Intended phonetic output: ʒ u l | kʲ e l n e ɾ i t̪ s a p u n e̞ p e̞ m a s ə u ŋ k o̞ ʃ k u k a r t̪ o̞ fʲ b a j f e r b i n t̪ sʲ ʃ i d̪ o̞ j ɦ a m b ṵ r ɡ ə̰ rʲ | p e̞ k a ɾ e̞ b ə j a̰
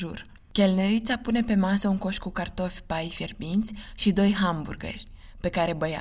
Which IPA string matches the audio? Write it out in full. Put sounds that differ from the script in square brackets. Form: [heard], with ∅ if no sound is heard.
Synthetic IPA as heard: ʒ u [r] | kʲ e l n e ɾ i t̪ s a p u n e̞ p e̞ m a s ə u ŋ k o̞ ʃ k u k a r t̪ o̞ fʲ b a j f e r b i n t̪ sʲ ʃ i d̪ o̞ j ɦ a m b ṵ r ɡ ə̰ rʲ | p e̞ k a ɾ e̞ b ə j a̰